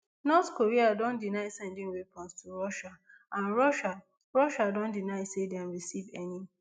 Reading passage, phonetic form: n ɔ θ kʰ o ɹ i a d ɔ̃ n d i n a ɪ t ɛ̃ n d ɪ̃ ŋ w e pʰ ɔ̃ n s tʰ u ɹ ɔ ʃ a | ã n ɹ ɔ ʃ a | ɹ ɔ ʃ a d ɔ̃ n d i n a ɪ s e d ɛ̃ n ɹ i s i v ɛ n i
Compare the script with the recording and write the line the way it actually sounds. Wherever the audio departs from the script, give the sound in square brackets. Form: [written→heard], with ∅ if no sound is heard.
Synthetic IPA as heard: n ɔ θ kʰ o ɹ i a d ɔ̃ n d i n a ɪ [t→s] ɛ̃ n d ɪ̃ ŋ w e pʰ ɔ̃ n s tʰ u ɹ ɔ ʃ a | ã n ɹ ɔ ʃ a | ɹ ɔ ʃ a d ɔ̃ n d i n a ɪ s e d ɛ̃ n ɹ i s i v ɛ n i